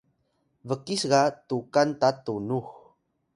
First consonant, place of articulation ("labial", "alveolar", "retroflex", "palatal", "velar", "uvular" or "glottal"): labial